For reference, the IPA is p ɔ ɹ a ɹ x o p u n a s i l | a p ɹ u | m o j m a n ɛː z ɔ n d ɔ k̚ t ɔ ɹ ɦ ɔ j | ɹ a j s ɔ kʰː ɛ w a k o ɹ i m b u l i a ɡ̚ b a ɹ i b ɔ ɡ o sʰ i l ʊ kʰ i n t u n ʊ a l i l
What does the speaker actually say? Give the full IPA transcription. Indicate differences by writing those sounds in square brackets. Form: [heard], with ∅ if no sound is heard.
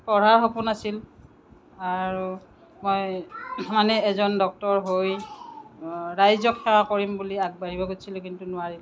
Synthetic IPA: p ɔ ɹ a ɹ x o p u n a s i l | a [∅] ɹ u | m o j m a n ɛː z ɔ n d ɔ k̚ t ɔ ɹ ɦ [o] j | ɹ a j [z] ɔ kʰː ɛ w a k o ɹ i m b u l i a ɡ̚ b a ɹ i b ɔ ɡ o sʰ i l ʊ [k] i n t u n ʊ a [ɹ] i l

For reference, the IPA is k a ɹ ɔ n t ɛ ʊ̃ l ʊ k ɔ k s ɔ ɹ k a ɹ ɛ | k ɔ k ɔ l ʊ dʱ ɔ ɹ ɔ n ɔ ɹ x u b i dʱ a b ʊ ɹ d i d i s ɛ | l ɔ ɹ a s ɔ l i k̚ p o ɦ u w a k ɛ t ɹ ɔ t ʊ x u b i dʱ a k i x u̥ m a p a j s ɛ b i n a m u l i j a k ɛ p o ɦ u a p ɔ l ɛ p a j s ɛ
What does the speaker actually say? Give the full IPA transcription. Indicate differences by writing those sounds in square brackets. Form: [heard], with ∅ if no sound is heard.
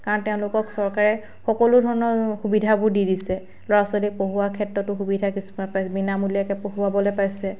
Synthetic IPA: k a ɹ ɔ n t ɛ ʊ̃ l ʊ k ɔ k s ɔ ɹ k a ɹ ɛ | [x] ɔ k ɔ l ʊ dʱ ɔ ɹ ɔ n ɔ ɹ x u b i dʱ a b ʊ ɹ d i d i s ɛ | l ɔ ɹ a s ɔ l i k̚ p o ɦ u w a [kʰ] ɛ t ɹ ɔ t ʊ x u b i dʱ a k i [s] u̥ m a p a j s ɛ b i n a m u l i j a k ɛ p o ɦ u a [b] ɔ l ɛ p a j s ɛ

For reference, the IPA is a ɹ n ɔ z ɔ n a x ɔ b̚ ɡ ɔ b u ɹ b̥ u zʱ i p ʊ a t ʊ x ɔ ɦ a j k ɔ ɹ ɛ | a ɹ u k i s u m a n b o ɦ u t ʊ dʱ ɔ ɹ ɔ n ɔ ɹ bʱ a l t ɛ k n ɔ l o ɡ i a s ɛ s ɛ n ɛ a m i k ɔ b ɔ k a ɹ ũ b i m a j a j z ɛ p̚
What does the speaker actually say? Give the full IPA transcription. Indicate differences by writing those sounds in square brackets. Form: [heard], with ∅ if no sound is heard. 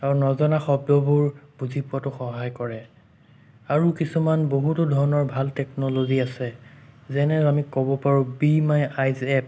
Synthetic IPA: a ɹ n ɔ z ɔ n a x ɔ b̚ [d] ɔ b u ɹ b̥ u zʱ i p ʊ a t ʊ x ɔ ɦ a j k ɔ ɹ ɛ | a ɹ u k i s u m a n b o ɦ u t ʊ dʱ ɔ ɹ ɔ n ɔ ɹ bʱ a l t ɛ k n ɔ l o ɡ i a s ɛ [z] ɛ n ɛ a m i k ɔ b ɔ [p] a ɹ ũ b i m a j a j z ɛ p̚

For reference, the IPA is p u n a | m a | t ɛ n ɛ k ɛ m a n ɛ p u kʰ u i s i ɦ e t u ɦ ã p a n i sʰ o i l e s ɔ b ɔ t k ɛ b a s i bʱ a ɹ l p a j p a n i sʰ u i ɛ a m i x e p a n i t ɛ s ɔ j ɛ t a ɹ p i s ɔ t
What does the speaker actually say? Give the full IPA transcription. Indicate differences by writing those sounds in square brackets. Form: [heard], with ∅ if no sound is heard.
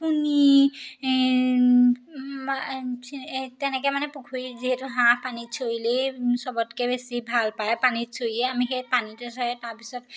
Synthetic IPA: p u n [i] | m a | t ɛ n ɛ k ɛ m a n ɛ p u kʰ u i [z] i ɦ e t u ɦ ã p a n i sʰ o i l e s ɔ b ɔ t k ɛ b [e] s i bʱ a [∅] l p a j p a n i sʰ [o] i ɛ a m i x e p a n i t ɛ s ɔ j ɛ t a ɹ p i s ɔ t

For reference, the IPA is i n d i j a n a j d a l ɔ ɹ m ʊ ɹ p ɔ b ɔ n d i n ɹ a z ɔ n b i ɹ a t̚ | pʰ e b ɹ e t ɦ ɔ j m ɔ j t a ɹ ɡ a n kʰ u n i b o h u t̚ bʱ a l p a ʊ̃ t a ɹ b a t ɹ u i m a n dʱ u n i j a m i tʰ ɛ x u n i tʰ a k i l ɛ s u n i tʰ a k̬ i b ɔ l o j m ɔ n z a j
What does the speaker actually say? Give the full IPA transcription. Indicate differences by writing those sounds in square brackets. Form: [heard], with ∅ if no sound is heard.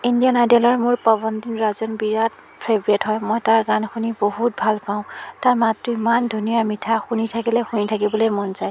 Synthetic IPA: i n d i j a n a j d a l ɔ ɹ m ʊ ɹ p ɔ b ɔ n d i n ɹ a z ɔ n b i ɹ a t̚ | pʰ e b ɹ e t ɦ ɔ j m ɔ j t a ɹ ɡ a n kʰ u n i b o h u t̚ bʱ a l p a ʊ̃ t a ɹ [m] a t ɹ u i m a n dʱ u n i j a m i tʰ [a] x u n i tʰ a k i l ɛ [x] u n i tʰ a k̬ i b ɔ l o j m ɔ n z a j

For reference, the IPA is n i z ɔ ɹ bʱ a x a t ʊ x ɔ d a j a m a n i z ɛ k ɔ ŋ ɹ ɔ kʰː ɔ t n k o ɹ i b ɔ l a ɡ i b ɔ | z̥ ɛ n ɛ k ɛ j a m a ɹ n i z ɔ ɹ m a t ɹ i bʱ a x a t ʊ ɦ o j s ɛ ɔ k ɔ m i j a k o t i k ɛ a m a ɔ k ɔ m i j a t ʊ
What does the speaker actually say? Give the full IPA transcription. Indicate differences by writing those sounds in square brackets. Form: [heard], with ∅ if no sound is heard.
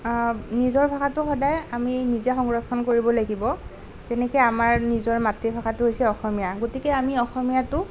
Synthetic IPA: n i z ɔ ɹ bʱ a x a t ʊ x ɔ d a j a m [i] n i z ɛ [x] ɔ ŋ ɹ ɔ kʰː ɔ [∅] n k o ɹ i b ɔ l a ɡ i b ɔ | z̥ ɛ n ɛ k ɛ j a m a ɹ n i z ɔ ɹ m a t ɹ i bʱ a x a t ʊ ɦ o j s ɛ ɔ [x] ɔ m i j a [ɡ] o t i k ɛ a m [i] ɔ [x] ɔ m i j a t ʊ

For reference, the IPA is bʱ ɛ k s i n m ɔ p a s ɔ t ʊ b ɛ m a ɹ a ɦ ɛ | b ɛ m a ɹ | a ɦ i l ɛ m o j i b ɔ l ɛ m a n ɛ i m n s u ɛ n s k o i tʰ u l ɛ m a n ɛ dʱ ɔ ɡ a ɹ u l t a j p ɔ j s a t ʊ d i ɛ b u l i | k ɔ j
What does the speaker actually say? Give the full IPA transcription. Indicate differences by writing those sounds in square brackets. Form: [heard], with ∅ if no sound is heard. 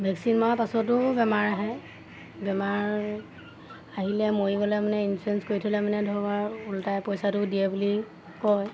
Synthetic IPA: bʱ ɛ k s i n m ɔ p a s ɔ t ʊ b ɛ m a ɹ a ɦ ɛ | b ɛ m a ɹ | a ɦ i l ɛ m o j i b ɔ l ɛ m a n ɛ i [∅] n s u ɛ n s k o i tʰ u l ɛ m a n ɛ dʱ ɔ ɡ a ɹ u l t a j p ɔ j s a t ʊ d i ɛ b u l i | k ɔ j

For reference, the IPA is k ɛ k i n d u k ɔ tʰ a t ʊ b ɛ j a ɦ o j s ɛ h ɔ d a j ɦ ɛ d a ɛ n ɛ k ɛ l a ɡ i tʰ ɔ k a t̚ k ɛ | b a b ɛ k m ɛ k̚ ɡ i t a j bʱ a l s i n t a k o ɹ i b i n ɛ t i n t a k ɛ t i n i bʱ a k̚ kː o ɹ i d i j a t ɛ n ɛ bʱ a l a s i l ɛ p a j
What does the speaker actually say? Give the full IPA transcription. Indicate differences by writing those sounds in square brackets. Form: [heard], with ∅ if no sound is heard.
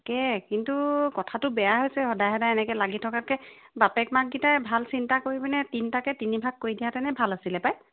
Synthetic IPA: k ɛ k i n [t] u k ɔ tʰ a t ʊ b ɛ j a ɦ o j s ɛ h ɔ d a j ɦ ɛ d a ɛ n ɛ k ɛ l a ɡ i tʰ ɔ k a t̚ k ɛ | b a [p] ɛ k m [a] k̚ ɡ i t a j bʱ a l s i n t a k o ɹ i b i n ɛ t i n t a k ɛ t i n i bʱ a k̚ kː o ɹ i d i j a t ɛ n ɛ bʱ a l a s i l ɛ p a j

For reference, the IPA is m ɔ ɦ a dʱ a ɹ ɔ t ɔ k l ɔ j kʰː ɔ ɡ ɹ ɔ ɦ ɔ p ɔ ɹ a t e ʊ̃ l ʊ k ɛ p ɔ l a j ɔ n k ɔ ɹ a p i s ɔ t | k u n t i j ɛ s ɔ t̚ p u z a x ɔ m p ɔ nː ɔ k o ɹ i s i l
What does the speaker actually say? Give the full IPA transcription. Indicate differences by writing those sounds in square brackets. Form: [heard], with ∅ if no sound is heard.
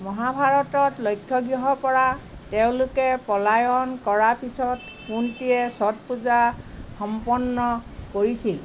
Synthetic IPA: m ɔ ɦ a [bʱ] a ɹ ɔ t ɔ [t] l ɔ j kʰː ɔ ɡ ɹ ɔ ɦ ɔ p ɔ ɹ a t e ʊ̃ l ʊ k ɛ p ɔ l a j ɔ n k ɔ ɹ a p i s ɔ t | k u n t i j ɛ s ɔ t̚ p u z a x ɔ m p ɔ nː ɔ k o ɹ i s i l

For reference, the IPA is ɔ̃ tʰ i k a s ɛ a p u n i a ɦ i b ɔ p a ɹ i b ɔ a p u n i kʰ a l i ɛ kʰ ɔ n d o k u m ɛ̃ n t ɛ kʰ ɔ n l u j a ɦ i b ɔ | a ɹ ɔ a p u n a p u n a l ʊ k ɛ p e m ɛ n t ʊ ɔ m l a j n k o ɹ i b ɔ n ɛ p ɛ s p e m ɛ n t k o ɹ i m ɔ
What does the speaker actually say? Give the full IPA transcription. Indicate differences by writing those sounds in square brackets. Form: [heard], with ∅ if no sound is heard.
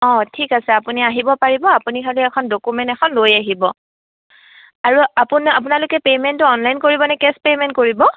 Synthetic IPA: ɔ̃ tʰ i k a s ɛ a p u n i a ɦ i b ɔ p a ɹ i b ɔ a p u n i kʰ a l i ɛ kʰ ɔ n d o k u m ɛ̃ n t ɛ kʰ ɔ n l [o] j a ɦ i b ɔ | a ɹ [u] a p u n a p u n a l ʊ k ɛ p e m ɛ n t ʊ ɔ [n] l a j n k o ɹ i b ɔ n ɛ [k] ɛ s p e m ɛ n t k o ɹ i [b] ɔ

